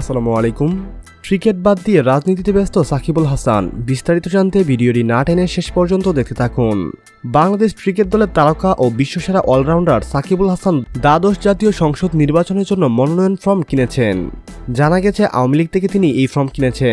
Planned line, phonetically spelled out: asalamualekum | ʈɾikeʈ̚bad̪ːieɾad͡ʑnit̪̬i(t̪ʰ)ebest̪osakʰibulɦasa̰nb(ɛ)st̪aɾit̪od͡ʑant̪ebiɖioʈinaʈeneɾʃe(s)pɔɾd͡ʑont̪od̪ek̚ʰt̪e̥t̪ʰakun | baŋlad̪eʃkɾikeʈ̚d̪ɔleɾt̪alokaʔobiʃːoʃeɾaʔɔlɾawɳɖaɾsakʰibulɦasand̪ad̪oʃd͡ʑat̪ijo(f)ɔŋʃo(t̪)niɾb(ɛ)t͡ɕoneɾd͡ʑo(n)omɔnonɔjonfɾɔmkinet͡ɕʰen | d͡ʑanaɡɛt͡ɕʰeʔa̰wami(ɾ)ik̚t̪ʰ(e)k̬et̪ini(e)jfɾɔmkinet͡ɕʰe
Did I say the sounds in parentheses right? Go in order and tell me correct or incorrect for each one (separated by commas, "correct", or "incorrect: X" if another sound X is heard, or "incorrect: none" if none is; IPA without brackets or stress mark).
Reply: incorrect: t̪, incorrect: i, incorrect: ʃ, incorrect: ʃ, incorrect: d̪, incorrect: a, incorrect: nː, incorrect: l, correct, correct